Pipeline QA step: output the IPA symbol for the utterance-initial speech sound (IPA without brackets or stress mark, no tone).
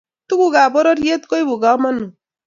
t̪